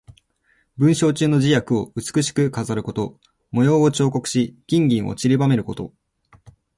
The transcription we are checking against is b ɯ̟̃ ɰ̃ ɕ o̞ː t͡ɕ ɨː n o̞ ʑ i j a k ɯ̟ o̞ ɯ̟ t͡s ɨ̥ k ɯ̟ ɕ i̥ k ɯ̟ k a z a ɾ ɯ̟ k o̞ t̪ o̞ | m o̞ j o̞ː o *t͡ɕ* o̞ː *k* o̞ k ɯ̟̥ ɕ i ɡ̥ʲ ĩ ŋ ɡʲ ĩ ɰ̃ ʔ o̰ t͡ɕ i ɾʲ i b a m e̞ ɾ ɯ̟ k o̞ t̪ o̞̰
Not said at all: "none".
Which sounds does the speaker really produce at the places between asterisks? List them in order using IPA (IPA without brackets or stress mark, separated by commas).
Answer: t͡ɕ, k